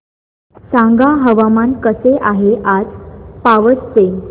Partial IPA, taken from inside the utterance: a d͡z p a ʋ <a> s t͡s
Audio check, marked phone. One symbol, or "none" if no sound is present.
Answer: ə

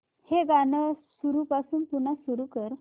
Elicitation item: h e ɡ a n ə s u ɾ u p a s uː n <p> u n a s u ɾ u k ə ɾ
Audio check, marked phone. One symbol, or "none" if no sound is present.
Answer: p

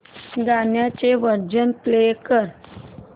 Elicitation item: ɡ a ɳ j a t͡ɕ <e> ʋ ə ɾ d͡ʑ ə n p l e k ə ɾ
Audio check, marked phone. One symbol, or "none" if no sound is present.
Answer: e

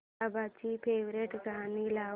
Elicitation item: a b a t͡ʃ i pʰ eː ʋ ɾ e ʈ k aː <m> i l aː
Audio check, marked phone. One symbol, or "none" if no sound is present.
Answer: n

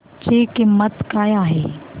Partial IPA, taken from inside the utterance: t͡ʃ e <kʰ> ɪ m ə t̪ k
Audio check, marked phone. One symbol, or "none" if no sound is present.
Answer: k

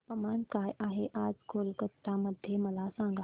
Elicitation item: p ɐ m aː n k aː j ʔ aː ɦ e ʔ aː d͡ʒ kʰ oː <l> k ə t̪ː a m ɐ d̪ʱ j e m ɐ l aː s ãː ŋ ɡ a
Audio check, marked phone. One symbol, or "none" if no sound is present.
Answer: l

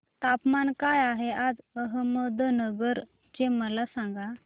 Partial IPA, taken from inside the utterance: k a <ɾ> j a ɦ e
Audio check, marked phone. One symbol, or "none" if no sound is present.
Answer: none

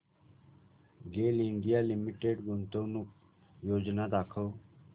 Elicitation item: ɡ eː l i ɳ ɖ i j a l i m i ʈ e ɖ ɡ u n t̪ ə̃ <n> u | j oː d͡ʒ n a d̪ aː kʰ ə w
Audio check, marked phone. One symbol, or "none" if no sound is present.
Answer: n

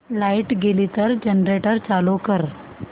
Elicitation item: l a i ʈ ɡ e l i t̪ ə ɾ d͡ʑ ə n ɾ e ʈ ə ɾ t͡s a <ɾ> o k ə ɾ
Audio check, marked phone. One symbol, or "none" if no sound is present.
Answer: l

